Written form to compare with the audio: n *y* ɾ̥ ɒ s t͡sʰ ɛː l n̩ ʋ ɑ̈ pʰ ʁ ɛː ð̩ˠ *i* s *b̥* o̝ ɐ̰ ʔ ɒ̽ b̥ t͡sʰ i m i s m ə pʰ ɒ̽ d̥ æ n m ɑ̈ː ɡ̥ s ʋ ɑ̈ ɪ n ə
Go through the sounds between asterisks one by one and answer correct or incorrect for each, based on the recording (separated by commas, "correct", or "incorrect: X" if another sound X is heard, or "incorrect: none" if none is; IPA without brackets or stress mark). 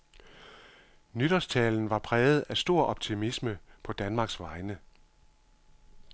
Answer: correct, incorrect: æ, incorrect: d̥